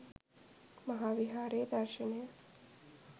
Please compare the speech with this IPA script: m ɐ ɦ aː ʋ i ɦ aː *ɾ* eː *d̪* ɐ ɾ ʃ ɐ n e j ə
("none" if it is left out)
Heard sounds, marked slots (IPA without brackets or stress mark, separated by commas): ɾ, d̪